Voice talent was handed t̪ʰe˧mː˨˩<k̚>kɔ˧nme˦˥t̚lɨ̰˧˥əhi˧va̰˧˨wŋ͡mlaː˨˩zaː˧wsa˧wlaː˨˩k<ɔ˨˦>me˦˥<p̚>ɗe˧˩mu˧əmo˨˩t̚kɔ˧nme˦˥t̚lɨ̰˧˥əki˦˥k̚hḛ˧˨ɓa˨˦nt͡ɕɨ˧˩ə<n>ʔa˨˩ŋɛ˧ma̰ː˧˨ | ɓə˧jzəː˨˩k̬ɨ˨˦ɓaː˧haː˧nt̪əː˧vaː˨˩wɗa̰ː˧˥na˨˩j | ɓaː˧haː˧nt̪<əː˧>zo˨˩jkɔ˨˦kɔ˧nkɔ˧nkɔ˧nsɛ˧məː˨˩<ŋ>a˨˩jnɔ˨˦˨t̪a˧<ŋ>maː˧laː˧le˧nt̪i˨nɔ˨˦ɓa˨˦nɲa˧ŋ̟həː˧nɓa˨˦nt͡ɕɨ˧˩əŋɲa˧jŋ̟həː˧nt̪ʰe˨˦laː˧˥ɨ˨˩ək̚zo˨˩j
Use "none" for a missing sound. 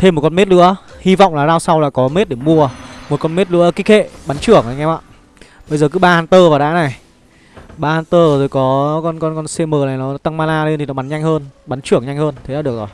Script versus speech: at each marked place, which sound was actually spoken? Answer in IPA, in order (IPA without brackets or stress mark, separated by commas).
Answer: t̚, ɔ˨˦, t̚, ŋ, əː˧, n, ŋ